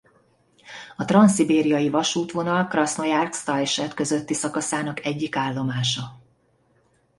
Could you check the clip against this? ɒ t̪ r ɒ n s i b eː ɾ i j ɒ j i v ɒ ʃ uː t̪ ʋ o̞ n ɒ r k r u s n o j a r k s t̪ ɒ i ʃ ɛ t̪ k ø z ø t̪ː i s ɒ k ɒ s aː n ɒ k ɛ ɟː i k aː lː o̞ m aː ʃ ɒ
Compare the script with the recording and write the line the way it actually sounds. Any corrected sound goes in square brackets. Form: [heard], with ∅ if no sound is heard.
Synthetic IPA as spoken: ɒ t̪ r ɒ n s i b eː ɾ i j ɒ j i v ɒ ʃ uː t̪ ʋ o̞ n ɒ [l] k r [ɒ] s n o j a r k s t̪ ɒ [j] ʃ ɛ t̪ k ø z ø t̪ː i s ɒ k ɒ s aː n ɒ k ɛ ɟː i k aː lː o̞ m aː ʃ ɒ